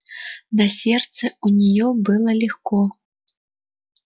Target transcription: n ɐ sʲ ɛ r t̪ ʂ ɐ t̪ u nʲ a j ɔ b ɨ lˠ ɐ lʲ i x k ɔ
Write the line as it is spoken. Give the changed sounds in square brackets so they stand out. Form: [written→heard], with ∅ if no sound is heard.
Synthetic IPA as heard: n ɐ sʲ ɛ r t̪ [ʂ→s] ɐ [t̪→∅] u nʲ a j ɔ b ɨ lˠ ɐ lʲ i x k ɔ